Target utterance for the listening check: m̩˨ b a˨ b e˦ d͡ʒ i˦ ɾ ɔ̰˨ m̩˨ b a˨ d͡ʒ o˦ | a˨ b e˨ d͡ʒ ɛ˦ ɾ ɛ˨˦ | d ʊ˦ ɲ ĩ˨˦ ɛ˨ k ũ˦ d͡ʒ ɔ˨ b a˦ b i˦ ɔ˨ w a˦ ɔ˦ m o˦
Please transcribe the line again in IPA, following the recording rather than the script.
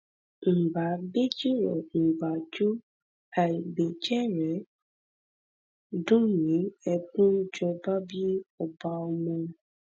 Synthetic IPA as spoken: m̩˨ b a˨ b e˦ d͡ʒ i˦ ɾ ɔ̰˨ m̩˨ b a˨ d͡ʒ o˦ | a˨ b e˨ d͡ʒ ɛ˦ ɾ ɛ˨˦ | d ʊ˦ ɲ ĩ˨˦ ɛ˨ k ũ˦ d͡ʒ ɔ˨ b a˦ b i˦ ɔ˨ b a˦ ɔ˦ m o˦